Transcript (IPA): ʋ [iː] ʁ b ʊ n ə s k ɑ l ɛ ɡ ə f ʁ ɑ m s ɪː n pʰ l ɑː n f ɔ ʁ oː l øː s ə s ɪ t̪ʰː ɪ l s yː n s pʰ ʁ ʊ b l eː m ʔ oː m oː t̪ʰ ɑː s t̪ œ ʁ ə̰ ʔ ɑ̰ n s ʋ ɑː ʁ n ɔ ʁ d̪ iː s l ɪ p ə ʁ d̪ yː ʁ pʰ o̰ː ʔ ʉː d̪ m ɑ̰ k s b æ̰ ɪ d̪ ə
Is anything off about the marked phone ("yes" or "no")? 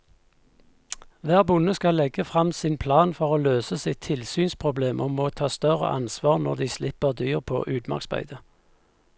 yes